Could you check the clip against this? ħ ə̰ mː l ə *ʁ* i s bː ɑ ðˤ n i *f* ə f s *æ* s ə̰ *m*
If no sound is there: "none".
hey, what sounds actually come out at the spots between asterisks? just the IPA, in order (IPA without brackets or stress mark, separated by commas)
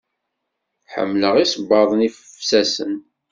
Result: ʁ, f, æ, n